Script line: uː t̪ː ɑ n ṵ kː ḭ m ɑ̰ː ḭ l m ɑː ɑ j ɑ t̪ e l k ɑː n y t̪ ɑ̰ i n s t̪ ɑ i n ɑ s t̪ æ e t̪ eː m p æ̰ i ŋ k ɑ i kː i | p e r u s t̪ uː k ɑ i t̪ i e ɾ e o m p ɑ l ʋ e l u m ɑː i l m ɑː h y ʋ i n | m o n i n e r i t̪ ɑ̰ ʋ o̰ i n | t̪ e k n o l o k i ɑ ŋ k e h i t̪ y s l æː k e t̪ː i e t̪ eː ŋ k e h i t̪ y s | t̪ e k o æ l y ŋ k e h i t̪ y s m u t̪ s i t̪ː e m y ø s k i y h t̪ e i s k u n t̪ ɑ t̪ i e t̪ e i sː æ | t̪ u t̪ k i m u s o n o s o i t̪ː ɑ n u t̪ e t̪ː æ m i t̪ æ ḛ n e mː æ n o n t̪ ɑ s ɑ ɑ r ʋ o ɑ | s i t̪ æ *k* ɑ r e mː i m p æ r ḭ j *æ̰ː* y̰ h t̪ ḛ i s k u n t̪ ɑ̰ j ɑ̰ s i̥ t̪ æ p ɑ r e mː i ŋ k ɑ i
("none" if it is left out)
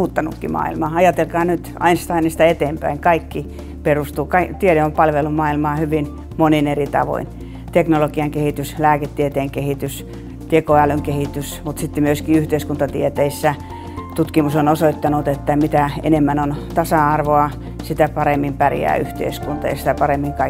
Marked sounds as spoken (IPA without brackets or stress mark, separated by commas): p, æ̰ː